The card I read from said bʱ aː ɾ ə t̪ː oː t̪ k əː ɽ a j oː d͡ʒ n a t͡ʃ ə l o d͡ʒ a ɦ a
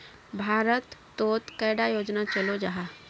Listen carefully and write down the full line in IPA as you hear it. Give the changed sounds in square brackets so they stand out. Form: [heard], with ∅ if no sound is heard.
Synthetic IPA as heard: bʱ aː ɾ ə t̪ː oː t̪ k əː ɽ a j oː d͡ʒ n a t͡ʃ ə l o d͡ʒ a ɦ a